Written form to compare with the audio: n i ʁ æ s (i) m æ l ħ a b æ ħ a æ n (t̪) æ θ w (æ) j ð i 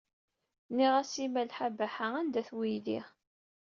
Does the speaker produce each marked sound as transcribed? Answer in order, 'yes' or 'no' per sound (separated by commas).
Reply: yes, no, no